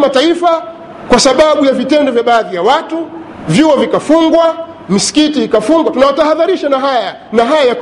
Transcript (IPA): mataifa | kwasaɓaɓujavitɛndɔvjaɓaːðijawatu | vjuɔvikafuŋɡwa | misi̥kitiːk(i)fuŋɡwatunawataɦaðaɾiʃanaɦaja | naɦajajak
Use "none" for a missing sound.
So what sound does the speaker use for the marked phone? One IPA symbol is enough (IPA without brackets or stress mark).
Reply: a